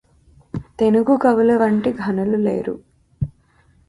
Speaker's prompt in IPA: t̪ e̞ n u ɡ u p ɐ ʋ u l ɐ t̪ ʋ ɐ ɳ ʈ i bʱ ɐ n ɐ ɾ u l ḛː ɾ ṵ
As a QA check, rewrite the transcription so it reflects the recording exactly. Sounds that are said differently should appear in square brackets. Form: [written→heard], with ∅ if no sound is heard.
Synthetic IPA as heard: t̪ e̞ n u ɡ u [p→k] ɐ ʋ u l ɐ [t̪→∅] ʋ ɐ ɳ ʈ i [bʱ→ɡʱ] ɐ n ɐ [ɾ→l] u l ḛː ɾ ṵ